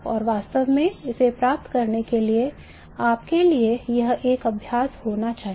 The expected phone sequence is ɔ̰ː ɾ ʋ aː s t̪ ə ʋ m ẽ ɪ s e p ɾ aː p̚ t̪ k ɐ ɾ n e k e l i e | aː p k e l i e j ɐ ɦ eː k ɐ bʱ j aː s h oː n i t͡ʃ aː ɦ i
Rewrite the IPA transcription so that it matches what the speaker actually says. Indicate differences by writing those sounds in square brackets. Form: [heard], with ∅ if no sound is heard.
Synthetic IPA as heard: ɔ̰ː ɾ ʋ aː s t̪ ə ʋ m ẽ ɪ s e p ɾ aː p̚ t̪ k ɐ ɾ n e k e l i e | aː p k e l i e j ɐ ɦ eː k ɐ bʱ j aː s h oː n [a] t͡ʃ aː ɦ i